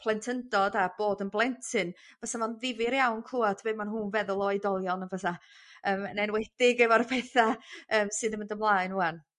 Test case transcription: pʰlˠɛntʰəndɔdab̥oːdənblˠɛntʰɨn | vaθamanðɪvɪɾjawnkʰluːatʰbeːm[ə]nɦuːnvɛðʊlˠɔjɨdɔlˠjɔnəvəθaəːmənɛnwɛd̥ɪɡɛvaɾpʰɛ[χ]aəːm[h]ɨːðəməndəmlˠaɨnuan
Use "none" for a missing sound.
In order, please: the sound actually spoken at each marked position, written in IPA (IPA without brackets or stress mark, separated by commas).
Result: a, θ, s